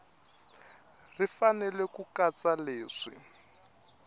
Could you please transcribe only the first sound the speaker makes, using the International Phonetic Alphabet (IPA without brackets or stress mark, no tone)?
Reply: r